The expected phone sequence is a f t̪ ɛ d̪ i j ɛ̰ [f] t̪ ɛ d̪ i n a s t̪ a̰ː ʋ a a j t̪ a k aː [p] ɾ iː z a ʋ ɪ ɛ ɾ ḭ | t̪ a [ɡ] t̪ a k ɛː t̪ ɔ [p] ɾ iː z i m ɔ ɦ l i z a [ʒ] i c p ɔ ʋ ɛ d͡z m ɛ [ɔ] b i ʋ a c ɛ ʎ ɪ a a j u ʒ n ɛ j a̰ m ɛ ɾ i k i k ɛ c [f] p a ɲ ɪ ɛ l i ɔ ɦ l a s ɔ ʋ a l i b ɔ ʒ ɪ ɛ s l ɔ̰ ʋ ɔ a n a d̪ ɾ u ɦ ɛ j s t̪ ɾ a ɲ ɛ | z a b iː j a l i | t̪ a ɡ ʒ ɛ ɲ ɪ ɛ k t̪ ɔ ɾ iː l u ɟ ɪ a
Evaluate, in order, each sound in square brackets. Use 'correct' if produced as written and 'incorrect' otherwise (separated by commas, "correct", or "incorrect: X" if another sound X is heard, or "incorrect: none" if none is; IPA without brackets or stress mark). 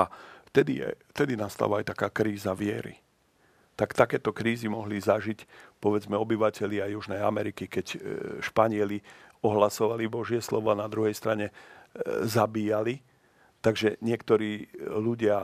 correct, incorrect: k, incorrect: k, incorrect: k, correct, correct, incorrect: ʃ